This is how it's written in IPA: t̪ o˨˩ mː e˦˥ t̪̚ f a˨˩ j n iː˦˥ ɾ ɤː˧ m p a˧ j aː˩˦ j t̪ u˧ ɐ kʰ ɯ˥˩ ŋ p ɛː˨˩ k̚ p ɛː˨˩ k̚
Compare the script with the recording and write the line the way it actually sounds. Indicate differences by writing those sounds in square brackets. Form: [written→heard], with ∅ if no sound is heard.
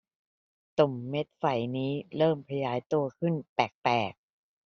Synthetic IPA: t̪ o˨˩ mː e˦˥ t̪̚ f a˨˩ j n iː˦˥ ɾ [ɤː˧→ɤː˥˩] m [p→pʰ] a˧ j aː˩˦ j t̪ u˧ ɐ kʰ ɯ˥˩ [ŋ→n] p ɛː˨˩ k̚ p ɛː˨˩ k̚